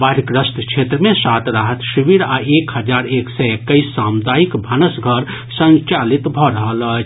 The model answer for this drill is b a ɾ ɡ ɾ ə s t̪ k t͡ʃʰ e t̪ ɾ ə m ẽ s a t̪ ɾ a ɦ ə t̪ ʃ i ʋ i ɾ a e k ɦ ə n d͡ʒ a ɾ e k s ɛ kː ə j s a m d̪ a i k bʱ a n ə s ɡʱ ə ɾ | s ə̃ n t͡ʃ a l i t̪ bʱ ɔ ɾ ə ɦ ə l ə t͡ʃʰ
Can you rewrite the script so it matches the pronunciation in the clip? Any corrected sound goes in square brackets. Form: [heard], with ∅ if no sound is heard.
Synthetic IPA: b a ɾ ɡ ɾ ə s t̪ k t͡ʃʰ e t̪ ɾ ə m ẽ s a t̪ ɾ a ɦ ə t̪ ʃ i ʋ i ɾ a e k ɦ ə [∅] d͡ʒ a ɾ e k s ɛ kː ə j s a m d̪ a i k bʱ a n ə s ɡʱ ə ɾ | s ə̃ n t͡ʃ a l i t̪ bʱ ɔ ɾ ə ɦ ə l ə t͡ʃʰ